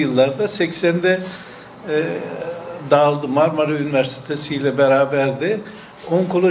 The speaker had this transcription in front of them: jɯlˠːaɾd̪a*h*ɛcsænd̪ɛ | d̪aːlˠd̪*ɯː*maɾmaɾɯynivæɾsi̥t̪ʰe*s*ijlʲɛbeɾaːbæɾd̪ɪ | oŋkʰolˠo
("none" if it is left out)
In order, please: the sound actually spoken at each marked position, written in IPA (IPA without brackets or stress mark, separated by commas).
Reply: s, ɯ, s